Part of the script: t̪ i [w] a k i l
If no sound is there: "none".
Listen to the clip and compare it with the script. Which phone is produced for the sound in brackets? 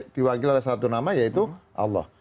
w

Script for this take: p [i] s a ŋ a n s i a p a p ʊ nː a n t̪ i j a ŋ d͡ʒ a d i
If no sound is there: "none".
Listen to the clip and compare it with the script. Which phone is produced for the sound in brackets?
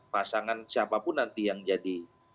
a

